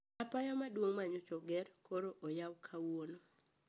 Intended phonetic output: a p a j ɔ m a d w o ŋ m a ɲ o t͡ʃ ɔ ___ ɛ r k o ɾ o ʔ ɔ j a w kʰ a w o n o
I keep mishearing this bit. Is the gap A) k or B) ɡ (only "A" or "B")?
B